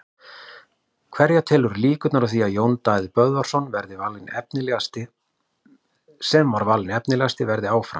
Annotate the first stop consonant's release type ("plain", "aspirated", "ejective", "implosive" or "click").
aspirated